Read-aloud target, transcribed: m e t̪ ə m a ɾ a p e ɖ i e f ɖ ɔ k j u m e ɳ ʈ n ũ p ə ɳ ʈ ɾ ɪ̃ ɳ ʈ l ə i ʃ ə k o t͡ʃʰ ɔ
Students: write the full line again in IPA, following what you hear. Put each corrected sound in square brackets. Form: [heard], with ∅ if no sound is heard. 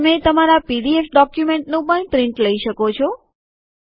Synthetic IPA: m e t̪ ə m a ɾ a p [i] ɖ i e f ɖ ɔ k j u m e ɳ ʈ n ũ p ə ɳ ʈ ɾ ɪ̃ ɳ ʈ l ə i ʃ ə k o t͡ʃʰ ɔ